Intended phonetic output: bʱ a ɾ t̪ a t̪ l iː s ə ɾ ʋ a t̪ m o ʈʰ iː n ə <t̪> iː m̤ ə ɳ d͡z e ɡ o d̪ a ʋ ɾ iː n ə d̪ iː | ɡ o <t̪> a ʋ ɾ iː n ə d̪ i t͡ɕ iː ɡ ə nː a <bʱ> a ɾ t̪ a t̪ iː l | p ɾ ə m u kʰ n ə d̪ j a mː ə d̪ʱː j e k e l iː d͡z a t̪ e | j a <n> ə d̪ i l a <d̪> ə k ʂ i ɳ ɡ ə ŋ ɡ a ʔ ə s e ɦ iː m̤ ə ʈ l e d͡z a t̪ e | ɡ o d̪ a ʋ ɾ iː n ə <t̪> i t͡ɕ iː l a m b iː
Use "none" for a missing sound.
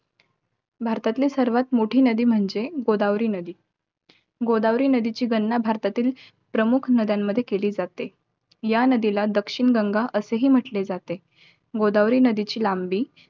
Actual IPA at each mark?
d̪, d̪, bʱ, n, d̪, d̪

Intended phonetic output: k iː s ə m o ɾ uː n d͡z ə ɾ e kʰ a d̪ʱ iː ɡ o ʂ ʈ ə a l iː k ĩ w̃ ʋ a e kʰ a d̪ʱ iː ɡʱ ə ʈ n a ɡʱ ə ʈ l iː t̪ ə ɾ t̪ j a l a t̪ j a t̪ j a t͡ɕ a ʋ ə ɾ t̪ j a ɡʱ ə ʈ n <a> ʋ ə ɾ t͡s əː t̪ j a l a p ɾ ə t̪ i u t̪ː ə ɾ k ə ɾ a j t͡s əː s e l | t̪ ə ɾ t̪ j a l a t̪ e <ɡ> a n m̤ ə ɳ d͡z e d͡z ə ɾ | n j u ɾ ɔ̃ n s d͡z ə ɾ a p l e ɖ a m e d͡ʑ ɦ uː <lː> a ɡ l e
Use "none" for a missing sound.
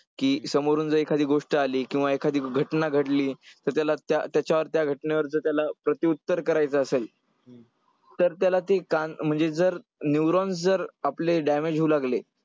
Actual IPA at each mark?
e, k, l

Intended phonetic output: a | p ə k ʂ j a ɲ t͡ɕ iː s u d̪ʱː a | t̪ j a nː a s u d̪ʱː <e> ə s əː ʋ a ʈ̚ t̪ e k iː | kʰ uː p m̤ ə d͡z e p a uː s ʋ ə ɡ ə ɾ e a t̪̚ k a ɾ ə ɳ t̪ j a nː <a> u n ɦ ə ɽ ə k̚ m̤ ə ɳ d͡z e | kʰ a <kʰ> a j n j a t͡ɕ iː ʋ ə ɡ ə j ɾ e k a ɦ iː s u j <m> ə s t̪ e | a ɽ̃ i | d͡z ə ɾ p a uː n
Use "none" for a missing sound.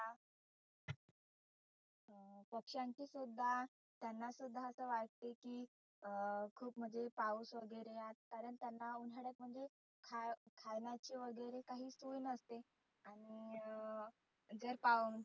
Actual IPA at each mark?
a, a, kʰ, n

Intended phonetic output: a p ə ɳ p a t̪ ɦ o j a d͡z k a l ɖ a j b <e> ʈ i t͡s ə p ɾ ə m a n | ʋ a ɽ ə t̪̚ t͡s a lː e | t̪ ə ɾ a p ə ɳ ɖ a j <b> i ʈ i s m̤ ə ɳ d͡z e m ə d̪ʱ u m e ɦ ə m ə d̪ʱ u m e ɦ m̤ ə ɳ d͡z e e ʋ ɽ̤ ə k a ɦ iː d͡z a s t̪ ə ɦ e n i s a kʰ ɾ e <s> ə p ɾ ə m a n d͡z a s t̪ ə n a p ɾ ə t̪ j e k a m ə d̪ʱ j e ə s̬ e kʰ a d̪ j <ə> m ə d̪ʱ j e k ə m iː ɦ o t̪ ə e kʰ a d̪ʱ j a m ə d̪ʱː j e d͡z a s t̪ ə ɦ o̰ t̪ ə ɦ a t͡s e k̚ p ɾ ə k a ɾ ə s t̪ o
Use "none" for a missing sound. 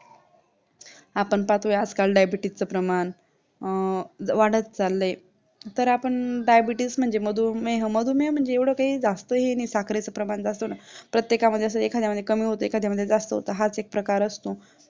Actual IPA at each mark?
i, b, t͡s, a

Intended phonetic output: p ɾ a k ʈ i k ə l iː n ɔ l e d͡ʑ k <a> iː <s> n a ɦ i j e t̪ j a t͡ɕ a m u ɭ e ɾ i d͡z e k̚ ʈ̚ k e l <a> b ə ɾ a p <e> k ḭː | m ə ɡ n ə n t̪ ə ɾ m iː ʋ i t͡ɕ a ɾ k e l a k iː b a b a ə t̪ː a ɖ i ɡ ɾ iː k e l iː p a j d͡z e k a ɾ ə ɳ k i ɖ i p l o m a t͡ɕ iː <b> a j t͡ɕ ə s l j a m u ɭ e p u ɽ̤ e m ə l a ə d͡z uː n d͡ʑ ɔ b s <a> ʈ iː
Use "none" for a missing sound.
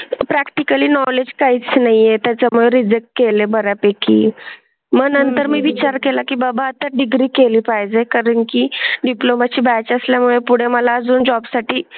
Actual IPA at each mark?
a, t͡s, e, e, b, a

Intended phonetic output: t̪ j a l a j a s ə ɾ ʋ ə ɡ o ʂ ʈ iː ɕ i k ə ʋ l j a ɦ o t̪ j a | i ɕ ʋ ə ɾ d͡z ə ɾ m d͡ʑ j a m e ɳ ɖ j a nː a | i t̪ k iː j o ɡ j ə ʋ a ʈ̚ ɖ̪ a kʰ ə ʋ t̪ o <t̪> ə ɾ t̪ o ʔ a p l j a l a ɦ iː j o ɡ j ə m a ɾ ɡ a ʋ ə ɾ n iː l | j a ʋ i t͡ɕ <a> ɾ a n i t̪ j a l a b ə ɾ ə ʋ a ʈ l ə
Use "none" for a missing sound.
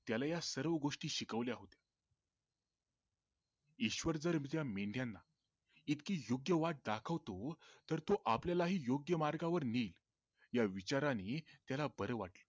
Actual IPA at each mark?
t̪, a

